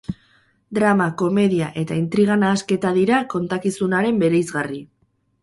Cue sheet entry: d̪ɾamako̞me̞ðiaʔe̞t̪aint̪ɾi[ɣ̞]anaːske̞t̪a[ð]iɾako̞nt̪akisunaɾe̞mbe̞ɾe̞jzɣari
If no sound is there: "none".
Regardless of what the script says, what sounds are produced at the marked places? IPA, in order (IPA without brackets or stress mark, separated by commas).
ɣ̞, ð